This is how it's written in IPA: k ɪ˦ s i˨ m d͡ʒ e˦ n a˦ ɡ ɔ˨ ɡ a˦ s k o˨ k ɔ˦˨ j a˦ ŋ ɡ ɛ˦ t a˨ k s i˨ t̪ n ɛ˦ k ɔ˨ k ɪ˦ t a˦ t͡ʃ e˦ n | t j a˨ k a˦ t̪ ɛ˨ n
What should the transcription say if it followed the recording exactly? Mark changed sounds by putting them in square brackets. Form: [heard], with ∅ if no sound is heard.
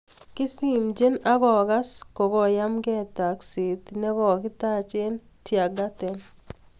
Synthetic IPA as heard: k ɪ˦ s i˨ m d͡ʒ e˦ n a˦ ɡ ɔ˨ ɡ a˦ s k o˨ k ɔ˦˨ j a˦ [m] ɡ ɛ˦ t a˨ k s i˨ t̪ n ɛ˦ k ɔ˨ k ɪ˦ t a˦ t͡ʃ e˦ n | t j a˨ [ɡ] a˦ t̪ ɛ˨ n